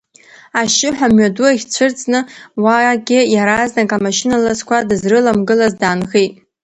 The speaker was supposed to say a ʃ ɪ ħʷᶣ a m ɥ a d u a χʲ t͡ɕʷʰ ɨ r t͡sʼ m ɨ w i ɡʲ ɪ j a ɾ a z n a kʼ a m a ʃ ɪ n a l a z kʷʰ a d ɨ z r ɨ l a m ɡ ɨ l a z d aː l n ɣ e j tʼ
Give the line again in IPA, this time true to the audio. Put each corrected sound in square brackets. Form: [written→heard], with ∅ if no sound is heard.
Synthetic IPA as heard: a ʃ ɪ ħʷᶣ a m ɥ a d u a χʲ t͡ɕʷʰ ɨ r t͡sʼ [m→n] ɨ w [i→a] ɡʲ ɪ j a ɾ a z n a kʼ a m a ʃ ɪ n a l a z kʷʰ a d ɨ z r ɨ l a m ɡ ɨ l a z d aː [l→∅] n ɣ e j tʼ